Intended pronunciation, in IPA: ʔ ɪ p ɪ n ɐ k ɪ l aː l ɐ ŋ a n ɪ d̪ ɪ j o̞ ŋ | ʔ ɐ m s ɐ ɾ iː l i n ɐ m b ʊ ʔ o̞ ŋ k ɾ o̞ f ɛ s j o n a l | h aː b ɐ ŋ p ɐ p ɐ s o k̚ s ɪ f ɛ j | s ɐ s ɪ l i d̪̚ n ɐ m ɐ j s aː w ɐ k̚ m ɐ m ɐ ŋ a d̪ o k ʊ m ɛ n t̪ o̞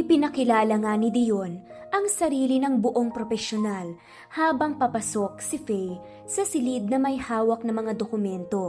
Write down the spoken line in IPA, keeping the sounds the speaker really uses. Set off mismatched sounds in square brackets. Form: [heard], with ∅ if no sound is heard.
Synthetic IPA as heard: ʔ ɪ p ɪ n ɐ k ɪ l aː l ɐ ŋ a n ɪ d̪ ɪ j o̞ [n] | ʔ ɐ [ŋ] s ɐ ɾ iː l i n ɐ [ŋ] b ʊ ʔ o̞ ŋ [p] ɾ o̞ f ɛ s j o n a l | h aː b ɐ ŋ p ɐ p ɐ s o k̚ s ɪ f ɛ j | s ɐ s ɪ l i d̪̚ n ɐ m ɐ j [h] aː w ɐ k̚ [n] ɐ m ɐ ŋ a d̪ o k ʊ m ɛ n t̪ o̞